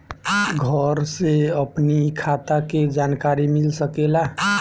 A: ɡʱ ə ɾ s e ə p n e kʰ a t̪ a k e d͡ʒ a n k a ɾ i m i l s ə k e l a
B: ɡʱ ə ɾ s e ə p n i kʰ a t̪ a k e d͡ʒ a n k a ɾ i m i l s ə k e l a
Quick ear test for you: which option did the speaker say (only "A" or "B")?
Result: B